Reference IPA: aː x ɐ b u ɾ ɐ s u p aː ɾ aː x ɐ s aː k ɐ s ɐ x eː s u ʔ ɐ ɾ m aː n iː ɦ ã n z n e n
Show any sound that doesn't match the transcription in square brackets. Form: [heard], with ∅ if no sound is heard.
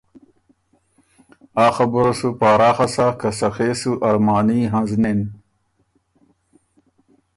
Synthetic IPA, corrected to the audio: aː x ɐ b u ɾ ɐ s u p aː ɾ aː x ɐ s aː k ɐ s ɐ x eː s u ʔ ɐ ɾ m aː n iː ɦ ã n z n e n